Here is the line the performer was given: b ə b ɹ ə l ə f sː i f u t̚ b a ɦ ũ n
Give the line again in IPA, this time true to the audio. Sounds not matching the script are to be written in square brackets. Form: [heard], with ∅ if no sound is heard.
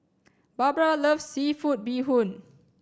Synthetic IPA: b [a] b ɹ [a] l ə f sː i f u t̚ b [i] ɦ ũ n